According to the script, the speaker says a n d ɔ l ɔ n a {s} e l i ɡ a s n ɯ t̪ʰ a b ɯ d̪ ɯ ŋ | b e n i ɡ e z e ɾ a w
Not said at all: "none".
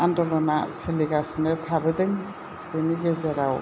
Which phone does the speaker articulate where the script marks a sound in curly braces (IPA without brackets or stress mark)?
s